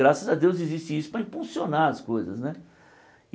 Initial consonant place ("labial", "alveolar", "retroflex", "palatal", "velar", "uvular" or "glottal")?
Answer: alveolar